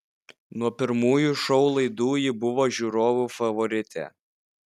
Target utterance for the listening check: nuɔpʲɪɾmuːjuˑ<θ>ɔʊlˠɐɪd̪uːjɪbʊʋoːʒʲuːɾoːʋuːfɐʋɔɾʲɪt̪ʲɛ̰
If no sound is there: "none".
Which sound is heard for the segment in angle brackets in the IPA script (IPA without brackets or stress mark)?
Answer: ʃ